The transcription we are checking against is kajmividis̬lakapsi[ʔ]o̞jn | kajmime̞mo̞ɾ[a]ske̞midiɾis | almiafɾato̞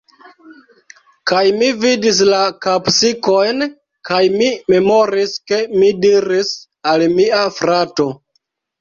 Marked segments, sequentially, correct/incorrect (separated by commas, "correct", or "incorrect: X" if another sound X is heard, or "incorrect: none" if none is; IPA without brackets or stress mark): incorrect: k, incorrect: i